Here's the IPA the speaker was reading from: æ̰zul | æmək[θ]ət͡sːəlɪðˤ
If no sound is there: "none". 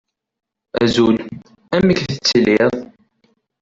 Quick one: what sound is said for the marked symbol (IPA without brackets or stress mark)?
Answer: θ